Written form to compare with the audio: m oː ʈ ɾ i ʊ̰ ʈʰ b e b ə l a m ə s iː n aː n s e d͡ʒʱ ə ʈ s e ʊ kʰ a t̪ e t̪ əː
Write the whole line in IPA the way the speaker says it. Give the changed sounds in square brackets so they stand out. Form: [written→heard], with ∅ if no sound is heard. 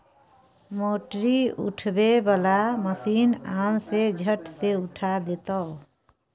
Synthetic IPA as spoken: m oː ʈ ɾ i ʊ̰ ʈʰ b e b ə l a m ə s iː n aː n s e d͡ʒʱ ə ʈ s e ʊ [kʰ→ʈʰ] a [t̪→d̪] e t̪ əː